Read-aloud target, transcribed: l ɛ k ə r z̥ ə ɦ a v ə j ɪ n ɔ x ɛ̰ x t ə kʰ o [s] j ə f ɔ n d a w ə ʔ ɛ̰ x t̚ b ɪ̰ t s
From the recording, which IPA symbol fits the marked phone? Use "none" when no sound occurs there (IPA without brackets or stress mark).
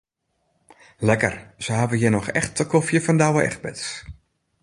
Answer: f